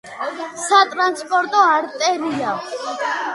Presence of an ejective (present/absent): present